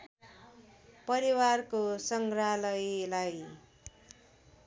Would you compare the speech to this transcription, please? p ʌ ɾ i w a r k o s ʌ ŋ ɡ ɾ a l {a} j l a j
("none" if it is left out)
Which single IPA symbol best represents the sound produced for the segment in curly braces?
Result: ʌ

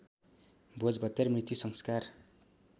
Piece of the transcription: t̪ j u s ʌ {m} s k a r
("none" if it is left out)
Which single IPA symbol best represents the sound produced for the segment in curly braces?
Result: ŋ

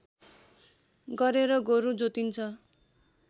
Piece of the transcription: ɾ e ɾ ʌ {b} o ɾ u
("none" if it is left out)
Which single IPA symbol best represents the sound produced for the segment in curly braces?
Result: ɡ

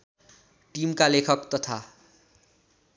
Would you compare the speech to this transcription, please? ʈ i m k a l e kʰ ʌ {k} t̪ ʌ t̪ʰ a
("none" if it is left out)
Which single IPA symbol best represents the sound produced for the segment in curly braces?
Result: k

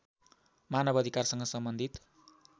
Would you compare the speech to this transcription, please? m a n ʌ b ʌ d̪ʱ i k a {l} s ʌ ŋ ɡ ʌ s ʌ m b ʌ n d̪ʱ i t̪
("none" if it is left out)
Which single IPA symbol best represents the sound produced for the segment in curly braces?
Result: r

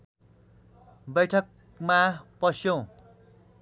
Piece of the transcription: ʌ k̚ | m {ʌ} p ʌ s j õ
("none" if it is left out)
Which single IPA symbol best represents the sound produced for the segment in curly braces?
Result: a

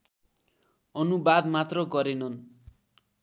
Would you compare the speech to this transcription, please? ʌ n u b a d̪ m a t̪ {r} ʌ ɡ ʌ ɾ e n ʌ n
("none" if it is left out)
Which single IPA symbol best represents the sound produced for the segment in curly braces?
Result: r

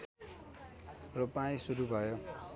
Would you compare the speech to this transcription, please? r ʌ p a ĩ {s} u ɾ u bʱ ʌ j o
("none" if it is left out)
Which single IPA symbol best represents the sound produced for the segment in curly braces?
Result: s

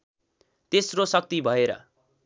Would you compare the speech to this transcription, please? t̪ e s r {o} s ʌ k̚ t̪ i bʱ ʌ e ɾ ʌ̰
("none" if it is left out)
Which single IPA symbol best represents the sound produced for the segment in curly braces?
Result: o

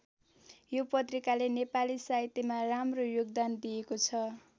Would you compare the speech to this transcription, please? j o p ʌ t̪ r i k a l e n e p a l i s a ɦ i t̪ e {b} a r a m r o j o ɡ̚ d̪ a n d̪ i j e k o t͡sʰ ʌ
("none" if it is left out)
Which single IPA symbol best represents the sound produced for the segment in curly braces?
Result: m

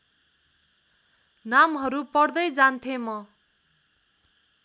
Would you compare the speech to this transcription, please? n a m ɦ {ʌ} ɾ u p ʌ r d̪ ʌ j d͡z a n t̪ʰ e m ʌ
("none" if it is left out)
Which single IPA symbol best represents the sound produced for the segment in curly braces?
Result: ʌ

